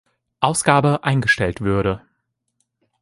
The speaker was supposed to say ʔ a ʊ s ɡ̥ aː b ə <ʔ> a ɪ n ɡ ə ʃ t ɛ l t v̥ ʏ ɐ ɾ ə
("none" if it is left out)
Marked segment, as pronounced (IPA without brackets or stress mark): ʔ